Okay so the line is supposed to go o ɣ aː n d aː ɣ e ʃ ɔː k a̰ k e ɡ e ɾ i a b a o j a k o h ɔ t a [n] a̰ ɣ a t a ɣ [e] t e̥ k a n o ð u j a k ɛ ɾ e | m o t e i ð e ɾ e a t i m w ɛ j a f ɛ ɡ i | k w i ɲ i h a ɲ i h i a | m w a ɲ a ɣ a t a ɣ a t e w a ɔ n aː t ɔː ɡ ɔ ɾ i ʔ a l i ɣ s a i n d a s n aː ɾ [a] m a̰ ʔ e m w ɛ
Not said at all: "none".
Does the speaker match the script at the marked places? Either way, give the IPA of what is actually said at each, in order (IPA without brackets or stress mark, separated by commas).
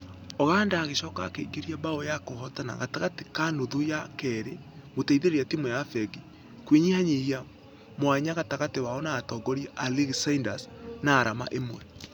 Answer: n, a, a